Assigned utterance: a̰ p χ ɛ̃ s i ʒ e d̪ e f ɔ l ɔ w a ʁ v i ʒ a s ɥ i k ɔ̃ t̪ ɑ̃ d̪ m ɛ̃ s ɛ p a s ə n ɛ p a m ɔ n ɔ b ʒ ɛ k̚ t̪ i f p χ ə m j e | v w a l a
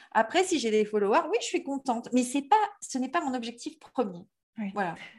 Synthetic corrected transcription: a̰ p χ ɛ s i ʒ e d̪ e f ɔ l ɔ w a ʁ w i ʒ ə s ɥ i k ɔ̃ t̪ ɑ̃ t̪ m ɛ s ɛ p a s ə n ɛ p a m ɔ̃ n ɔ b ʒ ɛ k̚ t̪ i f p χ ə m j e | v w a l a